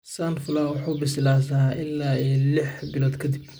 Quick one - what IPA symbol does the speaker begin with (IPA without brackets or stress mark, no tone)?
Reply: s